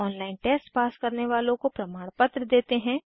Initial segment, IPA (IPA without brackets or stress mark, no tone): ɔː